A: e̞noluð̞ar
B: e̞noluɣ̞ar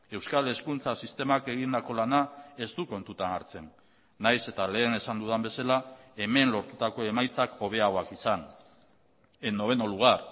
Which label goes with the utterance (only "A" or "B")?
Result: B